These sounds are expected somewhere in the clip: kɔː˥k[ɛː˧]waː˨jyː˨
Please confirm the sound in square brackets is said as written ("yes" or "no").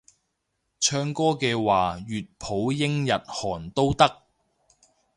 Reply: yes